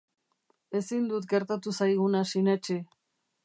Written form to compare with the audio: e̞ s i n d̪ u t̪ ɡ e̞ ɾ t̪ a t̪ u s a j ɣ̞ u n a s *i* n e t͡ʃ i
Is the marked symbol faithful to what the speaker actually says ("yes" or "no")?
yes